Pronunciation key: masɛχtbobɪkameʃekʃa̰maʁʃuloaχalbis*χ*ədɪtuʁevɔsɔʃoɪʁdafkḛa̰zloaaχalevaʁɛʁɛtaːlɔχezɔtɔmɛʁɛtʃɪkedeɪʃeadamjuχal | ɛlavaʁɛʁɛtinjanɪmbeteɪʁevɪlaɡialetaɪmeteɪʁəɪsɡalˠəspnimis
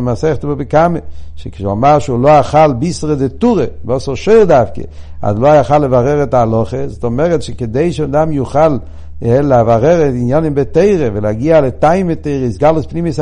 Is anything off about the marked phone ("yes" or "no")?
yes